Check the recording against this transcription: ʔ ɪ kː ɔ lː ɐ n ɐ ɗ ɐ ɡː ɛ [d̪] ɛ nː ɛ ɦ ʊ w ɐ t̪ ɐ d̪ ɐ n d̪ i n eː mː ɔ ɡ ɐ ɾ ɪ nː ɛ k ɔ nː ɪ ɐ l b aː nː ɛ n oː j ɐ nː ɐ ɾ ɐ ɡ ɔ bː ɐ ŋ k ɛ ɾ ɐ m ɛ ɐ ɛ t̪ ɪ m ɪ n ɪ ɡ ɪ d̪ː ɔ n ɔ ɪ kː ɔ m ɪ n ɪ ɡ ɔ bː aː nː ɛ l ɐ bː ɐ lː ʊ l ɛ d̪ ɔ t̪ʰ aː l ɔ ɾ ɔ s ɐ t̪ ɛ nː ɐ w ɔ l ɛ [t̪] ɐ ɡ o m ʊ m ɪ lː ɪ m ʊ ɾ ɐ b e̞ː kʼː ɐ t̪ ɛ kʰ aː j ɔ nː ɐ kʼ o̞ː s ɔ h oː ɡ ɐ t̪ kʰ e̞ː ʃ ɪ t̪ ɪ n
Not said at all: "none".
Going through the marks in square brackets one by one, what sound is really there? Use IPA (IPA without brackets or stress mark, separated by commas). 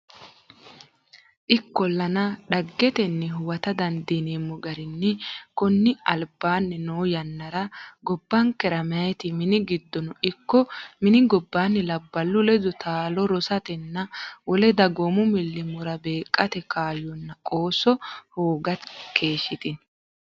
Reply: t̪, d̪